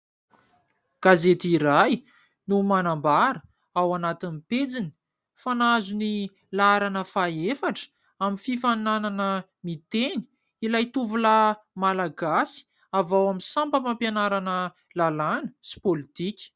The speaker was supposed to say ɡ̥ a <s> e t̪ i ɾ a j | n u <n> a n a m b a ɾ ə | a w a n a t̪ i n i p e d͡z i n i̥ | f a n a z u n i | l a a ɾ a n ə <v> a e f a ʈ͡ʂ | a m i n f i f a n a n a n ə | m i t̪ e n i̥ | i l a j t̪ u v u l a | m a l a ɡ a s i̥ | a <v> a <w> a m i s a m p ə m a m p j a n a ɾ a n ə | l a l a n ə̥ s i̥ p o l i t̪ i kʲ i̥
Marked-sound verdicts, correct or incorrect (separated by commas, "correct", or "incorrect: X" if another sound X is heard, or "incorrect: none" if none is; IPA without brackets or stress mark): incorrect: z, incorrect: m, incorrect: f, correct, correct